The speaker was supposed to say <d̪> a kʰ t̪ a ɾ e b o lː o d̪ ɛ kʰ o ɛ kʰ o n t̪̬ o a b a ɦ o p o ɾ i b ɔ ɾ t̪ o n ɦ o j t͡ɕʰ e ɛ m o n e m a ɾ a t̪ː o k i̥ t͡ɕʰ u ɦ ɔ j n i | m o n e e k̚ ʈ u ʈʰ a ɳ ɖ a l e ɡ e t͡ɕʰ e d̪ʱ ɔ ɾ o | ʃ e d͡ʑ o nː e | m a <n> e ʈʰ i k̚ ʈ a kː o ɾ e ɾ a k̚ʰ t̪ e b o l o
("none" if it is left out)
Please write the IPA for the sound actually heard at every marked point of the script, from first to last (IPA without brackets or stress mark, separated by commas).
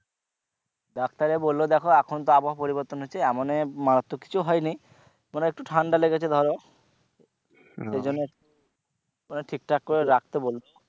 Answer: d̪, n